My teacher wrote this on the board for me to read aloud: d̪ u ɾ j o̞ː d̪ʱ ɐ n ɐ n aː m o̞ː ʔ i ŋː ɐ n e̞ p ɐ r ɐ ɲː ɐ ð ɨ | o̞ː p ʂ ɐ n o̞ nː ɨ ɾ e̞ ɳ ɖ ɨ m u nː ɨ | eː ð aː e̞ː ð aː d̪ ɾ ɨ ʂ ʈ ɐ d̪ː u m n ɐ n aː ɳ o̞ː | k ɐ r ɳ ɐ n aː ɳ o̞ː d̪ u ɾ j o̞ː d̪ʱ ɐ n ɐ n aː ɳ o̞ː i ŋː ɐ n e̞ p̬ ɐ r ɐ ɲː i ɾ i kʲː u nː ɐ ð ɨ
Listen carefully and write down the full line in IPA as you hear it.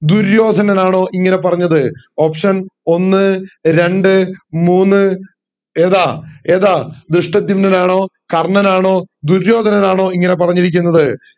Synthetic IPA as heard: d̪ u ɾ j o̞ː d̪ʱ ɐ n ɐ n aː ɳ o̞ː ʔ i ŋː ɐ n e̞ p ɐ r ɐ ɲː ɐ ð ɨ | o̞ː p ʂ ɐ n o̞ nː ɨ ɾ e̞ ɳ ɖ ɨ m uː nː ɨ | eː ð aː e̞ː ð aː d̪ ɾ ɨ ʂ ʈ ɐ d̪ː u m n ɐ n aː ɳ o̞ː | k ɐ r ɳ ɐ n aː ɳ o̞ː d̪ u ɾ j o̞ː d̪ʱ ɐ n ɐ n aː ɳ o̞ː i ŋː ɐ n e̞ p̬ ɐ r ɐ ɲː i ɾ i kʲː u nː ɐ ð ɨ